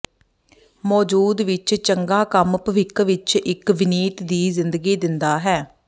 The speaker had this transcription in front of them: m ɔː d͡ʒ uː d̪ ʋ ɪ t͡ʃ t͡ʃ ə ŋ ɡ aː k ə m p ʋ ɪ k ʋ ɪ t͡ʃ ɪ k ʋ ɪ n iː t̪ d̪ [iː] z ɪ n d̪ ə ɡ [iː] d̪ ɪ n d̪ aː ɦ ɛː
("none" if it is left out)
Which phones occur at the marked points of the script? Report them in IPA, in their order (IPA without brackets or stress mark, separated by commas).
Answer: iː, iː